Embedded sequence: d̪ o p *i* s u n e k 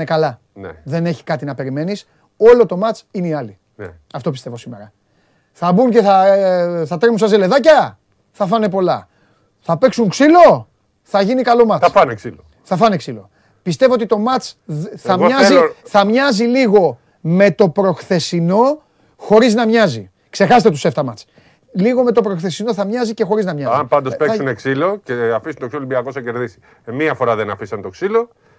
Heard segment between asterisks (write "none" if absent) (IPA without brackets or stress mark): e